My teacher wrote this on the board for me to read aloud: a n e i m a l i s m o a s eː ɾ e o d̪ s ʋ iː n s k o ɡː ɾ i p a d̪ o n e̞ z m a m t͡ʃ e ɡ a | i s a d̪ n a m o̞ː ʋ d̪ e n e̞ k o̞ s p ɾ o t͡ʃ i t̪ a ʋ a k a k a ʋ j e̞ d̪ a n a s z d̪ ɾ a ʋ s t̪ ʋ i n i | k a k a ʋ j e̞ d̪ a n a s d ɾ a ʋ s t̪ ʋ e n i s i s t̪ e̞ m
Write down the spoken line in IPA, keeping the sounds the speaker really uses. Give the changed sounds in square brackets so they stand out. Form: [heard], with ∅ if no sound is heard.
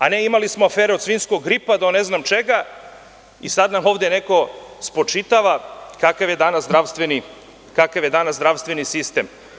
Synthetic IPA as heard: a n e i m a l i s m o a [f] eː ɾ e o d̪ s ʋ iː n s k o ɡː ɾ i p a d̪ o n e̞ z [n] a m t͡ʃ e ɡ a | i s a d̪ n a m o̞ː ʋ d̪ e n e̞ k o̞ s p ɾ o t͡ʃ i t̪ a ʋ a k a k a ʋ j e̞ d̪ a n a s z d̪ ɾ a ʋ s t̪ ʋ [e] n i | k a k a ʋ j e̞ d̪ a n a s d ɾ a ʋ s t̪ ʋ e n i s i s t̪ e̞ m